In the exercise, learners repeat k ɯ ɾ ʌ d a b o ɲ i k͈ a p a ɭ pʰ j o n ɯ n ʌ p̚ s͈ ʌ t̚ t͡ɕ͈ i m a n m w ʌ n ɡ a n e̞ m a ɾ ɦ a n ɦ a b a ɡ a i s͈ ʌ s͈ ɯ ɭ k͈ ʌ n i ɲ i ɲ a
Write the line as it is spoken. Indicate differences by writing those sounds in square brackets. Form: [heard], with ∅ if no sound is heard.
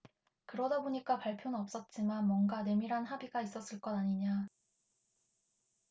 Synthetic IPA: k ɯ ɾ ʌ d a b o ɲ i k͈ a p a ɭ pʰ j o n ɯ n ʌ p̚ s͈ ʌ t̚ t͡ɕ͈ i m a n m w ʌ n ɡ a n e̞ m [i] ɾ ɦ a n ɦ a b [i] ɡ a i s͈ ʌ s͈ ɯ ɭ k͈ ʌ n [a] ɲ i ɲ a